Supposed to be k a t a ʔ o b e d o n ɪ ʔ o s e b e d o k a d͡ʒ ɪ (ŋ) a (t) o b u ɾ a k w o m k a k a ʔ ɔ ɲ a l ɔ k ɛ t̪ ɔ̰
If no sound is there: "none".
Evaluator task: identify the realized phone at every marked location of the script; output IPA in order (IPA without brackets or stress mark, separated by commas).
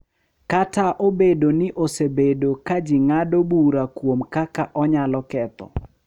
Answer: ŋ, d